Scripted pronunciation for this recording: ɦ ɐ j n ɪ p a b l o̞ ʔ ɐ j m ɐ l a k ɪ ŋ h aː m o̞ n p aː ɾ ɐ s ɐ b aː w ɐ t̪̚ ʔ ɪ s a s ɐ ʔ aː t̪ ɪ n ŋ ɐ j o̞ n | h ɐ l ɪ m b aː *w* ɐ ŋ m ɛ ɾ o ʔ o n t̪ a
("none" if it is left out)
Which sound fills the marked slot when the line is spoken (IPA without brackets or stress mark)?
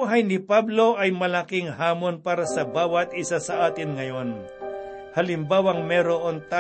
w